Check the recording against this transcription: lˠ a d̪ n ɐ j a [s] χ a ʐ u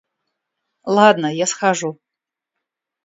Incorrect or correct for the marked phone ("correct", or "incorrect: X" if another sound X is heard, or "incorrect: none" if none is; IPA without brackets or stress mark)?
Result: correct